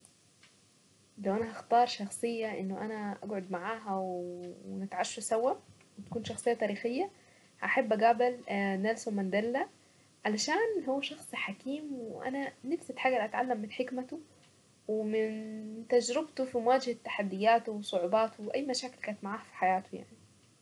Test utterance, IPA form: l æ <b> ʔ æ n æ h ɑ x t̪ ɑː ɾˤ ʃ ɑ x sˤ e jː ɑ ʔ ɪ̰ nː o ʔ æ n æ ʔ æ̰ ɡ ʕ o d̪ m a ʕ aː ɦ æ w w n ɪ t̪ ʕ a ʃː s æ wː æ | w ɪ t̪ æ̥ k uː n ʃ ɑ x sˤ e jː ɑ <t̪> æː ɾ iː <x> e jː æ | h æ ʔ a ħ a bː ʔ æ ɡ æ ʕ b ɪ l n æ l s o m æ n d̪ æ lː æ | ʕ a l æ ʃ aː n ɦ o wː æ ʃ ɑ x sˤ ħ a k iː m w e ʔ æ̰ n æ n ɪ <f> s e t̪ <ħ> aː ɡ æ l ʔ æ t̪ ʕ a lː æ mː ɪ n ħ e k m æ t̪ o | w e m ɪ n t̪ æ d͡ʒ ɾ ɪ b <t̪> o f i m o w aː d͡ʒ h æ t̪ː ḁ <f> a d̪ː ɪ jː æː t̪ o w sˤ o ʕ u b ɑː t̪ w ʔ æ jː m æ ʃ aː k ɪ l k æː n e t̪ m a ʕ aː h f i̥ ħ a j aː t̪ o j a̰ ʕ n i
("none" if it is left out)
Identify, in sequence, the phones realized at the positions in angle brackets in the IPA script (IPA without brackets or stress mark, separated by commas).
w, t̪, x, f, ħ, t̪, ħ